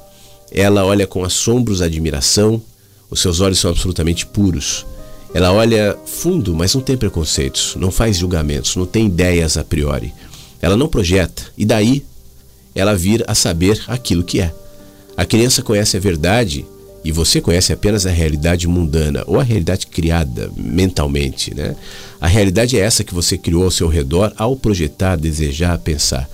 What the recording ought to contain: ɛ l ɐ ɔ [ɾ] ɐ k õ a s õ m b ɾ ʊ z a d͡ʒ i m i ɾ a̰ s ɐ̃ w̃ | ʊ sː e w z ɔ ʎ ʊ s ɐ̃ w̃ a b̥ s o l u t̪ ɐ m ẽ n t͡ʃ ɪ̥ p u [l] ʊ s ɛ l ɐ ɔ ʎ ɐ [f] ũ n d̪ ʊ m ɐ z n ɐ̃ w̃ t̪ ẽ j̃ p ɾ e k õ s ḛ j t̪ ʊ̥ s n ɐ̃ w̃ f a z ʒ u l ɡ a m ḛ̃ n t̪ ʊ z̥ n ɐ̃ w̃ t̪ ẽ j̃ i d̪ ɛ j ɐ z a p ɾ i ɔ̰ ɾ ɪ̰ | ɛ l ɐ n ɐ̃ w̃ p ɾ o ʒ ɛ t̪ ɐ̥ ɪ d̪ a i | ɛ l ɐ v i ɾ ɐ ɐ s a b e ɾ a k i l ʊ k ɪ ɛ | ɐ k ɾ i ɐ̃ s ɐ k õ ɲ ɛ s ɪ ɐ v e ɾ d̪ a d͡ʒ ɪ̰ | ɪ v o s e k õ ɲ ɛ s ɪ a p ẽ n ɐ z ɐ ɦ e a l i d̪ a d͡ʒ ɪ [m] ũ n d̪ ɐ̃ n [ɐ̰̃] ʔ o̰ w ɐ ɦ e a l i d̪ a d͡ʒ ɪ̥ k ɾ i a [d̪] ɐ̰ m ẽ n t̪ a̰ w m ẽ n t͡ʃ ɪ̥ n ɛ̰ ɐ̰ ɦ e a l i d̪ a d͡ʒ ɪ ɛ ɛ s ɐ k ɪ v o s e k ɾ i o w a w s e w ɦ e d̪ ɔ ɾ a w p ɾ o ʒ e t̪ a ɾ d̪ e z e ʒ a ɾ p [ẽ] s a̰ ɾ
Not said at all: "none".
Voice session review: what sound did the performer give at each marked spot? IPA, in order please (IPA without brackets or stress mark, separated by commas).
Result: ʎ, ɾ, f, m, ɐ̰, d̪, ẽ